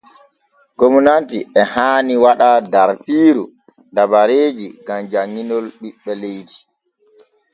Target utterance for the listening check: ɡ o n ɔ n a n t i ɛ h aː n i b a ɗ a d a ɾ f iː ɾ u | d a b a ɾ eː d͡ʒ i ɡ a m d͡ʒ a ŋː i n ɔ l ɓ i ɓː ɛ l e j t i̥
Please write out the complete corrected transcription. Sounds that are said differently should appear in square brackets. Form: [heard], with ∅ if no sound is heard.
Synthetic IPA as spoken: ɡ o [m] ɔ n a n t i ɛ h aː n i [w] a ɗ a d a ɾ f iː ɾ u | d a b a ɾ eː d͡ʒ i ɡ a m d͡ʒ a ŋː i n ɔ l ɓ i ɓː ɛ l e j t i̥